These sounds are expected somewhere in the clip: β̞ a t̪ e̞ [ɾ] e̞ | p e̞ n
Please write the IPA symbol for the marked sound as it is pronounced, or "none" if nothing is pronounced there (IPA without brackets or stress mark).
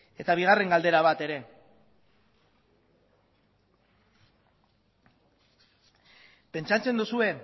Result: ɾ